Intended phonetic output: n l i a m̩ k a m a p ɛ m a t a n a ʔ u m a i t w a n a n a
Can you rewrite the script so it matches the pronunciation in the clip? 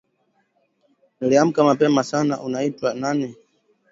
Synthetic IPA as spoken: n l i a m̩ k a m a p ɛ m a s a n a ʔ u n a i t w a n a n ɛ